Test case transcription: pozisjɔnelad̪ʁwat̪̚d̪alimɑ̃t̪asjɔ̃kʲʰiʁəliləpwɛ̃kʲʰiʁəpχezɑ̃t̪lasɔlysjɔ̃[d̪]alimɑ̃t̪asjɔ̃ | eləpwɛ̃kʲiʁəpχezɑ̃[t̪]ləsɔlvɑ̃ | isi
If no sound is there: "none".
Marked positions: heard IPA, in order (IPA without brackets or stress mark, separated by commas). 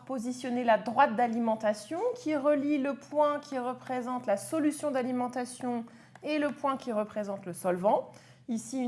d̪, t̪